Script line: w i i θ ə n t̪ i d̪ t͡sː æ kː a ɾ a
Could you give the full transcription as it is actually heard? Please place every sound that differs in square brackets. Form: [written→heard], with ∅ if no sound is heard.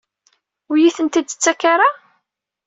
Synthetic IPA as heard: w [i→j] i θ ə n t̪ i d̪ t͡sː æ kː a ɾ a